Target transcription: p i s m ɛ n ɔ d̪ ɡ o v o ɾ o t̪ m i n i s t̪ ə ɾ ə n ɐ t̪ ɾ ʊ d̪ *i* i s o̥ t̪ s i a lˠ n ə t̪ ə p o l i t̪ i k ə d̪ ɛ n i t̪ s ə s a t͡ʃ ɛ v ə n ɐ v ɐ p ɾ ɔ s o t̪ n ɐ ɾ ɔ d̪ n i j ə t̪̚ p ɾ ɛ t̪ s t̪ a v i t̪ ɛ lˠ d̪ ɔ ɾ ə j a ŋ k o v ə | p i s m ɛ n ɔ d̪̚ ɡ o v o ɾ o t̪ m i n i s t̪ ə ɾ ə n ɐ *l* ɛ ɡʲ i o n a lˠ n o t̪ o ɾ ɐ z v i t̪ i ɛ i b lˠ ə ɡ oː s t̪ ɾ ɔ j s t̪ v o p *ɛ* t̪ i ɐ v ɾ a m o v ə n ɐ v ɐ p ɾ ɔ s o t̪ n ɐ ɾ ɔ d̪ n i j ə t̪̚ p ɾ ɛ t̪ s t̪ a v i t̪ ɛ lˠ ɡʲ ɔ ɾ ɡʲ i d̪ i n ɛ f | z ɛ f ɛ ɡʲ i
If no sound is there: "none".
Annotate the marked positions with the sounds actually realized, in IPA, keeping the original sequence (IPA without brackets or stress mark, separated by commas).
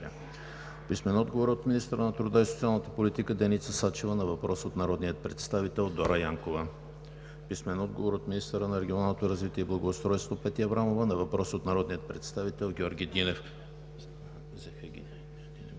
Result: a, ɾ, ɛ